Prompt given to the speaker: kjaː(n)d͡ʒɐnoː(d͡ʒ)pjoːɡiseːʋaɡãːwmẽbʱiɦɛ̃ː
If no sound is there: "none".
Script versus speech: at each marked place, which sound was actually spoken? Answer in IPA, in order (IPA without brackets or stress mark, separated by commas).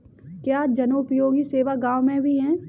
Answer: none, none